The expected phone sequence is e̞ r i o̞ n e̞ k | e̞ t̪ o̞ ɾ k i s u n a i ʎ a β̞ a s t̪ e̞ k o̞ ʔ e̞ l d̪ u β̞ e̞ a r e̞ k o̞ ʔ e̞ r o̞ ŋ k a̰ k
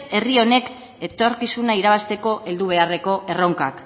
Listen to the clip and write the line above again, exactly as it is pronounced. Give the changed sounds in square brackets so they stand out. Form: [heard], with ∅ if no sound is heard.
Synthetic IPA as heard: e̞ r i o̞ n e̞ k | e̞ t̪ o̞ ɾ k i s u n a i [ɾ] a β̞ a s t̪ e̞ k o̞ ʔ e̞ l d̪ u β̞ e̞ a r e̞ k o̞ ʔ e̞ r o̞ ŋ k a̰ k